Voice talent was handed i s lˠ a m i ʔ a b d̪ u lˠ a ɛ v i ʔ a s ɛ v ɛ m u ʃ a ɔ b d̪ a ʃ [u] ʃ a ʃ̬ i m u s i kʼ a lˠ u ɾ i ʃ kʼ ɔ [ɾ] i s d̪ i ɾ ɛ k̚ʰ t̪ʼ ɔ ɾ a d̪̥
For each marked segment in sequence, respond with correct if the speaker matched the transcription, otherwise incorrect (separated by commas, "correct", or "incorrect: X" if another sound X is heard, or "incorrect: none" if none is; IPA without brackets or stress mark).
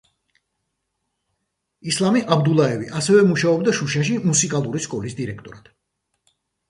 correct, incorrect: l